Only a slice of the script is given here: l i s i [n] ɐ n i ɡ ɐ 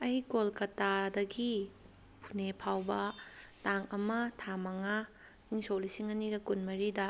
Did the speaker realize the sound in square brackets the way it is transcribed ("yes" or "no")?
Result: no